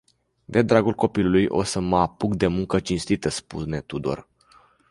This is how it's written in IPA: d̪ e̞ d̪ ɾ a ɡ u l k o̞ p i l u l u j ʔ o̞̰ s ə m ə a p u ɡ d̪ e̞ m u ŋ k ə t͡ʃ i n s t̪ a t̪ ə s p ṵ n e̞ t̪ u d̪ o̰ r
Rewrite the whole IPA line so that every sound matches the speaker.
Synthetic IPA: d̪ e̞ d̪ ɾ a ɡ u l k o̞ p i l u l u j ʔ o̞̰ s ə m ə a p u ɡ d̪ e̞ m u ŋ k ə t͡ʃ i n s t̪ i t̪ ə s p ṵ n e̞ t̪ u d̪ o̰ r